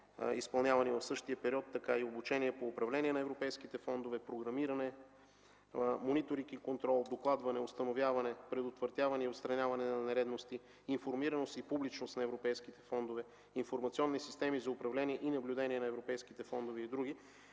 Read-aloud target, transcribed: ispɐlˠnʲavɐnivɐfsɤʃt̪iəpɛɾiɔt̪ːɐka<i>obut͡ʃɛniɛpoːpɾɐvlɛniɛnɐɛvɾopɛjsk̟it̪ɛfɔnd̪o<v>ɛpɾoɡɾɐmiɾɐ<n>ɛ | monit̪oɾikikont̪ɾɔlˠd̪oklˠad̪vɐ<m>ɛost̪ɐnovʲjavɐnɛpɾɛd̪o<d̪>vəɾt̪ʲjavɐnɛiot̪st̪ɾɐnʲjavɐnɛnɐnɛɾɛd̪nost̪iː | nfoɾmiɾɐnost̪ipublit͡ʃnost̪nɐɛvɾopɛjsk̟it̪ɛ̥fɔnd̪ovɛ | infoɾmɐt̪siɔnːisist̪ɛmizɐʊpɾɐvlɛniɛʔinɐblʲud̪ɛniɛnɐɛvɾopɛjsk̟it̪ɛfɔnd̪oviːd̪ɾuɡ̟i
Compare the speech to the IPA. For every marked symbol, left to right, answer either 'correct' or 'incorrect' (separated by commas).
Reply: correct, correct, correct, incorrect, incorrect